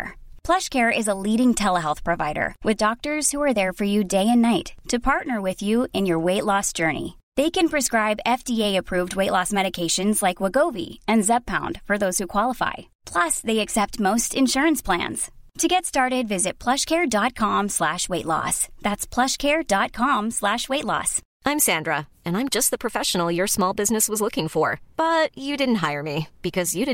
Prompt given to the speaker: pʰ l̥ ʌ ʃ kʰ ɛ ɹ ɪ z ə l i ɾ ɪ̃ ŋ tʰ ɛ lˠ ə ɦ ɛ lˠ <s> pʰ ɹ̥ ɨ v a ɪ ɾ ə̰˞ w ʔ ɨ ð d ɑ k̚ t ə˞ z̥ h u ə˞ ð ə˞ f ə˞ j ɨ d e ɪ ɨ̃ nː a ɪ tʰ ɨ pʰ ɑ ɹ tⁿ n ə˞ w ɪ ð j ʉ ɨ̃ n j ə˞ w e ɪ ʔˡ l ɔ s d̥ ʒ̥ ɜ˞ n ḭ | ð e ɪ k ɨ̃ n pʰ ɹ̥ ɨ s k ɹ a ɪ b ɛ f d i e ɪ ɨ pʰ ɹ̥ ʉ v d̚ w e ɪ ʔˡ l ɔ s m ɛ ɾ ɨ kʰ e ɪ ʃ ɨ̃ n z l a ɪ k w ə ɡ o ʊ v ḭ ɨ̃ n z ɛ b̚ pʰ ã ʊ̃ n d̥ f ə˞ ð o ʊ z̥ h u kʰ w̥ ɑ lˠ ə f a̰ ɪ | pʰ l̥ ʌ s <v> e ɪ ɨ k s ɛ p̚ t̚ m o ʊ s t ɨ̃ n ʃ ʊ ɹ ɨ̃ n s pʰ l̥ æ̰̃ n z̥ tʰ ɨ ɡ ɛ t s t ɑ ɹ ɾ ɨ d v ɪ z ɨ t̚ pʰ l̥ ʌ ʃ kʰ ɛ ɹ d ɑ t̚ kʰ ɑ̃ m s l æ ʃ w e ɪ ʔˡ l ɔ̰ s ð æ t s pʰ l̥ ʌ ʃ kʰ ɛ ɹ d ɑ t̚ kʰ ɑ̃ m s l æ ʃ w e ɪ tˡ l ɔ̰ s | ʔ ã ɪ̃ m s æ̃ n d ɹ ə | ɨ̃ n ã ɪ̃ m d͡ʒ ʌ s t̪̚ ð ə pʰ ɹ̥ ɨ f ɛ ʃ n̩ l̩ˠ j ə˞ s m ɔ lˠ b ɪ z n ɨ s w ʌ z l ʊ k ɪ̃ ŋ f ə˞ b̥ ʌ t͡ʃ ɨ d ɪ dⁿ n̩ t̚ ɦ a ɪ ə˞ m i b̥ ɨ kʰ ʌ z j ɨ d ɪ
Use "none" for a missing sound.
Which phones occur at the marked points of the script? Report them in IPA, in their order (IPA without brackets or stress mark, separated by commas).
θ, ð